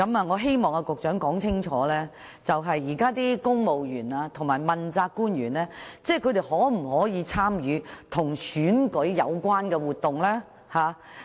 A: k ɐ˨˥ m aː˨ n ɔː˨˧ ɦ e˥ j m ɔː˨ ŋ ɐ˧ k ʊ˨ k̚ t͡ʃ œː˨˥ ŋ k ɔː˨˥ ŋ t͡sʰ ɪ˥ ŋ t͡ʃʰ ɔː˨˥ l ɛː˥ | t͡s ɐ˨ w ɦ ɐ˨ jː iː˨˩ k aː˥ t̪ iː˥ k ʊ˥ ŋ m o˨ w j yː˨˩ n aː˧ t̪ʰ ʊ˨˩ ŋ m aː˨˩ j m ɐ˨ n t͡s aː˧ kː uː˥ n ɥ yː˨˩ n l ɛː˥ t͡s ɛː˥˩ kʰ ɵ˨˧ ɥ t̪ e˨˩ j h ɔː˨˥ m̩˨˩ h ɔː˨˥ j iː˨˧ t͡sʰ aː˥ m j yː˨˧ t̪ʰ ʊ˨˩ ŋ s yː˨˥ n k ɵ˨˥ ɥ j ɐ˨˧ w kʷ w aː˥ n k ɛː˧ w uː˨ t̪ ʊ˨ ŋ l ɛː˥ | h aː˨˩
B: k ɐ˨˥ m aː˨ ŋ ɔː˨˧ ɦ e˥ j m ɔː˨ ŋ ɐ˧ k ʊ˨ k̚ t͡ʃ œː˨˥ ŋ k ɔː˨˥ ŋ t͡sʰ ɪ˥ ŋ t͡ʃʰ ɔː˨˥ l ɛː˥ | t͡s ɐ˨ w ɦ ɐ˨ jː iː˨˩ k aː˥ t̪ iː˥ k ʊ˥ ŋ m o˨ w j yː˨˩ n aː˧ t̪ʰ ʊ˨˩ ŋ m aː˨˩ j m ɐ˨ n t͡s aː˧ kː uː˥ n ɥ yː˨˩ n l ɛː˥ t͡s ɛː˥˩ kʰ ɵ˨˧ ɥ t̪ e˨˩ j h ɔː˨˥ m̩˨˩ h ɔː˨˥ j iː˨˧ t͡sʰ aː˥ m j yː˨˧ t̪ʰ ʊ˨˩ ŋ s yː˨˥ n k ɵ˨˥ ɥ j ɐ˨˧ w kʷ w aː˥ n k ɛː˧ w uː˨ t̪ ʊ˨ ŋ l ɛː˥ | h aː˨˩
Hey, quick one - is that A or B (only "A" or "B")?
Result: B